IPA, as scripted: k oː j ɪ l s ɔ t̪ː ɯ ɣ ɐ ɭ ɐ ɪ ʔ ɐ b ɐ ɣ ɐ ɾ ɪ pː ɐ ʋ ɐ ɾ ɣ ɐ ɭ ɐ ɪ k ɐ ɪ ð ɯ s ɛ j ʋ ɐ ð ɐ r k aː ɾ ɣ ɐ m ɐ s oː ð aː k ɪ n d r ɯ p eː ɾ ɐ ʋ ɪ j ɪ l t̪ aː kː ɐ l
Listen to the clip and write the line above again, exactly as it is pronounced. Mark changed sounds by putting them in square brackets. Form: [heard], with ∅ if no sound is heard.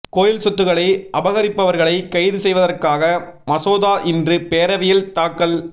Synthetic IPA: k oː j ɪ l s ɔ t̪ː ɯ ɣ ɐ ɭ ɐ ɪ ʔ ɐ b ɐ ɣ ɐ ɾ ɪ pː ɐ ʋ ɐ ɾ ɣ ɐ ɭ ɐ ɪ k ɐ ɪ ð ɯ s ɛ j ʋ ɐ ð ɐ r k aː [∅] ɣ ɐ m ɐ s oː ð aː [ʔ] ɪ n d r ɯ p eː ɾ ɐ ʋ ɪ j ɪ l t̪ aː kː ɐ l